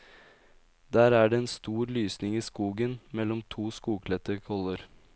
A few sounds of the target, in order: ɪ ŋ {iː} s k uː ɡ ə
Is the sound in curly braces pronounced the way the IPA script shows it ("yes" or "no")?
yes